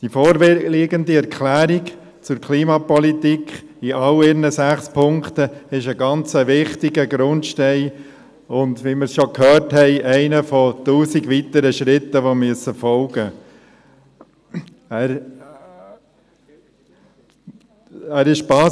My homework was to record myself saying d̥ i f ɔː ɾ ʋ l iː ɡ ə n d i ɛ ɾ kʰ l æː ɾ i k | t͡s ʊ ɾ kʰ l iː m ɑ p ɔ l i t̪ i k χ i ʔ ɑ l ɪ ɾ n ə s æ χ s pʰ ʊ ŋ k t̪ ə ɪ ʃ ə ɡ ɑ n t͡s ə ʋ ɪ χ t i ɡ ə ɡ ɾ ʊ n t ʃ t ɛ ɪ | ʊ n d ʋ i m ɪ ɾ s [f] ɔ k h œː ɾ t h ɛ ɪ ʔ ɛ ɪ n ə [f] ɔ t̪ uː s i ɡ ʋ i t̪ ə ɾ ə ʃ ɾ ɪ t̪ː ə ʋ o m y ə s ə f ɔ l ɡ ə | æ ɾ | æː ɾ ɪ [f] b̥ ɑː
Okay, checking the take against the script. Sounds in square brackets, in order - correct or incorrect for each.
incorrect, correct, incorrect

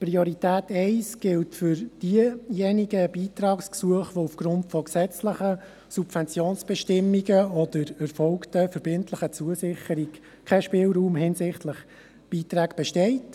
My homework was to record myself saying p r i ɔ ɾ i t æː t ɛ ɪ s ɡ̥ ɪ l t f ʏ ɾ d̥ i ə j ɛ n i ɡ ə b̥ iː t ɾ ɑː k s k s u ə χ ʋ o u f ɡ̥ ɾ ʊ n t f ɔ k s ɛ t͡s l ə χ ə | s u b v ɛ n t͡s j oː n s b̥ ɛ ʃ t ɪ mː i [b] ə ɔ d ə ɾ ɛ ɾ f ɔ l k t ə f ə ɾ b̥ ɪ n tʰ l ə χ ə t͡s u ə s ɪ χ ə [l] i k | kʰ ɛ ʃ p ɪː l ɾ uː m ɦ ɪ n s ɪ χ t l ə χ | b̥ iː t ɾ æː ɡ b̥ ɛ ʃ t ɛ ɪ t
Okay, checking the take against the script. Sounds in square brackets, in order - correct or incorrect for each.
incorrect, incorrect

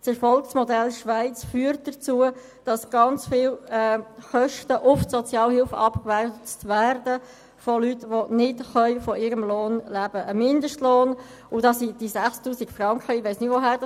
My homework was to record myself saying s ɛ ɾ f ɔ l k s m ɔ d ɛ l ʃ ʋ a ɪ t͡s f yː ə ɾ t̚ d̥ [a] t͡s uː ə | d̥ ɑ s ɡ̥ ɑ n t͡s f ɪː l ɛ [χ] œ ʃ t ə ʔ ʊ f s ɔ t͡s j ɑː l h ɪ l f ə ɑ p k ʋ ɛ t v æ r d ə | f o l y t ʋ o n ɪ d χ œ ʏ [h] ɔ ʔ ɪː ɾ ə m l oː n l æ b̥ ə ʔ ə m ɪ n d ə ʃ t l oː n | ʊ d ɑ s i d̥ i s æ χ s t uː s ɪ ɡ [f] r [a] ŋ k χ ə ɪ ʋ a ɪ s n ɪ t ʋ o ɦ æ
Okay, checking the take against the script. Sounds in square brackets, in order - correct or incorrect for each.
incorrect, correct, incorrect, correct, incorrect

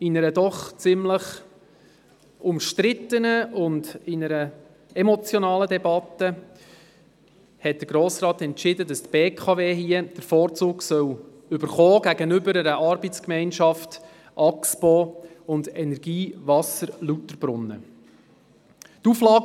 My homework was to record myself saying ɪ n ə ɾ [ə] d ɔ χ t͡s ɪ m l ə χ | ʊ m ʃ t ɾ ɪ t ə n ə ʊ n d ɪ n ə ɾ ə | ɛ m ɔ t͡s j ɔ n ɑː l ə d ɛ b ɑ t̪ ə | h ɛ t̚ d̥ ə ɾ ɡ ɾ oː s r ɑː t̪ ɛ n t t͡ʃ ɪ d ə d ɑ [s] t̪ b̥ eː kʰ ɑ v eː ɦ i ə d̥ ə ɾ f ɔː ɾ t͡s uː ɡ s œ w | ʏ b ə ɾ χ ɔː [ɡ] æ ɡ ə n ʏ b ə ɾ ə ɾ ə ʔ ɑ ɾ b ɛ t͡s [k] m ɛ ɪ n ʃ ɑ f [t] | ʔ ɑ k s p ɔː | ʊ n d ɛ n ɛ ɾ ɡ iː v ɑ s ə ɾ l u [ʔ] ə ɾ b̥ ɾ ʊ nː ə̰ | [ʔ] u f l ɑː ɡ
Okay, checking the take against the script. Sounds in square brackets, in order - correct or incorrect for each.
correct, correct, correct, correct, correct, incorrect, incorrect

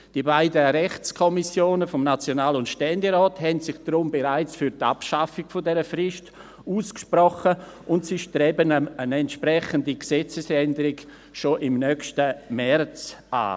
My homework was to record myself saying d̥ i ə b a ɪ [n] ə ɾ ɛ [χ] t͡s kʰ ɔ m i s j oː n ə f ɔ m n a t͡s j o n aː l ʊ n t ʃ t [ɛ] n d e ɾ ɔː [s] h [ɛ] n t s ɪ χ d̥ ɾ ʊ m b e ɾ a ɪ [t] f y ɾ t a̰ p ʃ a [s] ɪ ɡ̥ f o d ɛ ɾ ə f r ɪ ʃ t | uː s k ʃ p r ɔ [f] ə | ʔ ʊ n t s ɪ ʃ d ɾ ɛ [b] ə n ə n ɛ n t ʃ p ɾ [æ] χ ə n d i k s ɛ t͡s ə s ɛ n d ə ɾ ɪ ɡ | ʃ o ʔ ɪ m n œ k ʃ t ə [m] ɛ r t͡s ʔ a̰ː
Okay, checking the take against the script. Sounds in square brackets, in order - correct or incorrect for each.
incorrect, correct, correct, incorrect, correct, incorrect, incorrect, incorrect, correct, incorrect, correct

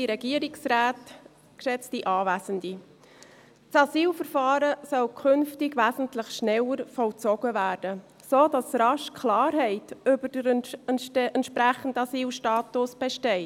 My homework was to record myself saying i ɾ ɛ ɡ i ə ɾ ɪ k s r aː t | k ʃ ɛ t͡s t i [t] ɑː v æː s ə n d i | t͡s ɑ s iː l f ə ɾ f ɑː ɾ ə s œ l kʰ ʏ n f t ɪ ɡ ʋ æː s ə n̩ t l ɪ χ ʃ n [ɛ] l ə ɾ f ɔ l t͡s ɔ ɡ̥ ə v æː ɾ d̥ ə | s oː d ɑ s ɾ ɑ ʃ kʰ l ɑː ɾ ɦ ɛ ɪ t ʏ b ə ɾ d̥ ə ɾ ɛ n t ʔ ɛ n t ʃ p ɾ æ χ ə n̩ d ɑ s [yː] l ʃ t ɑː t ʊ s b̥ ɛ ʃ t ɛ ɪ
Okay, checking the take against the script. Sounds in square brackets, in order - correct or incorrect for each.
incorrect, correct, incorrect

